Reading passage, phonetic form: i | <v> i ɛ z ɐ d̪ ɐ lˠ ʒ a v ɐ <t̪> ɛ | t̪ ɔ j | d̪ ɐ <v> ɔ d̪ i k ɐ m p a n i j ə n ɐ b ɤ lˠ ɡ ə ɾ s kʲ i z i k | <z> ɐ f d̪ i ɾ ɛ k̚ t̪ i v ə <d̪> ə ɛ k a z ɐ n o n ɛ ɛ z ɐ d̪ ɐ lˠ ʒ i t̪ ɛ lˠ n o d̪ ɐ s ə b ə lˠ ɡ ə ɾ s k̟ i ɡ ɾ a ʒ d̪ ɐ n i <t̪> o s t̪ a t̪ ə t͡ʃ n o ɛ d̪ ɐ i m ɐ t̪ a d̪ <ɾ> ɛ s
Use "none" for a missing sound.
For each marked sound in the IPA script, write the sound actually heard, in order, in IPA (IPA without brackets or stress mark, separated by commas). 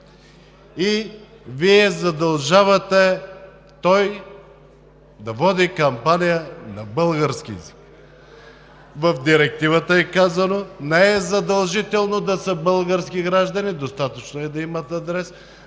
v, t̪, v, v, t̪, d̪, ɾ